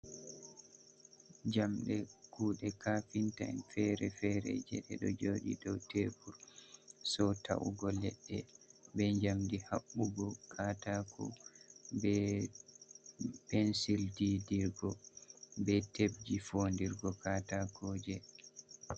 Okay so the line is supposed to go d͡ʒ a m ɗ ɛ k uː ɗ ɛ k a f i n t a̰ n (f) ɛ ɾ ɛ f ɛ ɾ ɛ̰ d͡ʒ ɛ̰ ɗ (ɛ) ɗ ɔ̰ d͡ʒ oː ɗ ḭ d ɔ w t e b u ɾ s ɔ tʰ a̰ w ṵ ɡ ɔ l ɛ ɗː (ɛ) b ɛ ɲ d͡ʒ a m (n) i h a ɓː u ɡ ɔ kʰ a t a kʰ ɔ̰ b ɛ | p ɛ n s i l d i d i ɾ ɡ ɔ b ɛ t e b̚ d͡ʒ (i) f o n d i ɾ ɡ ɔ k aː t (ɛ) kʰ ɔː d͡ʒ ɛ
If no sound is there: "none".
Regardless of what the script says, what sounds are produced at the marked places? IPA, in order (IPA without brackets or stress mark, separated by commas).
f, ɛ, ɛ, d, i, a